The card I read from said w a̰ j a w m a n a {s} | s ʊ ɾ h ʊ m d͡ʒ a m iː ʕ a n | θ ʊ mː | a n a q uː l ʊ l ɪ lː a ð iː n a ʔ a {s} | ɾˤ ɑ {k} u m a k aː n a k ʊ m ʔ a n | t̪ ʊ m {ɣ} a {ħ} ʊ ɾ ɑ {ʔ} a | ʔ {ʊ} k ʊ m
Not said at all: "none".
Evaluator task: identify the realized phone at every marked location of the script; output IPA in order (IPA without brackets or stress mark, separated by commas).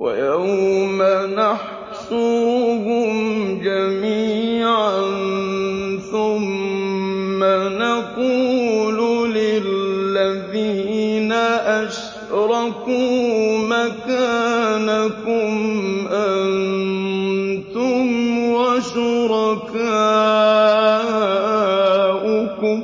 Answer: ħ, ʃ, k, w, ʃ, k, ʊ